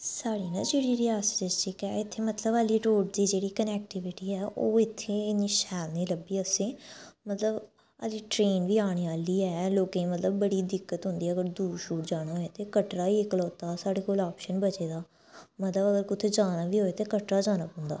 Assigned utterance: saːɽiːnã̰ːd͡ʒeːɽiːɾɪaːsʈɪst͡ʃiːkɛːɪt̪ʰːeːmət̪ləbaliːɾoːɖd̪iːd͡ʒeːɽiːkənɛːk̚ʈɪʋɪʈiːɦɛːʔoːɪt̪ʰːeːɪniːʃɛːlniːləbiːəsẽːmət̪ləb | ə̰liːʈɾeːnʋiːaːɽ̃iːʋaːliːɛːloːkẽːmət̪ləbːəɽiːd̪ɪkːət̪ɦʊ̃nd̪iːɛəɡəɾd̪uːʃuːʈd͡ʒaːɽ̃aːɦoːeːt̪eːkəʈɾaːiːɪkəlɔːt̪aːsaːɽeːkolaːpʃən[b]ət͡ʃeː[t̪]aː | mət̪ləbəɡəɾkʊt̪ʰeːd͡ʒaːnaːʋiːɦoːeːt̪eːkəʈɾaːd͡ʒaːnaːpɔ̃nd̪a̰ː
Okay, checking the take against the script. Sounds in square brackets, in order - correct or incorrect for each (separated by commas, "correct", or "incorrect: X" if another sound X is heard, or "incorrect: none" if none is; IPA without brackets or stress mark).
correct, incorrect: d̪